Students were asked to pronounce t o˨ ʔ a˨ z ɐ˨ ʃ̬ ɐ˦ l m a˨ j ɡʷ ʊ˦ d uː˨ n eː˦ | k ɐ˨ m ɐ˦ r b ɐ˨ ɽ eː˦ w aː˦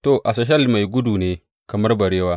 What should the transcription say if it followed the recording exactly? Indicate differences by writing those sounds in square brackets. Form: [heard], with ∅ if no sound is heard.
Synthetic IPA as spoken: t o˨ ʔ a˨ [s] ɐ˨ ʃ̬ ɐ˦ l m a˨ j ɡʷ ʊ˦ d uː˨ n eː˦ | k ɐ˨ m ɐ˦ r b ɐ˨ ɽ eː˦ w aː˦